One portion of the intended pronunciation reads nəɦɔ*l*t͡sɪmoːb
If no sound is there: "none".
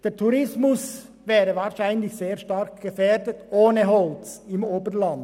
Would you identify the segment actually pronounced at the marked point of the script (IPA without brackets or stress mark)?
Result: l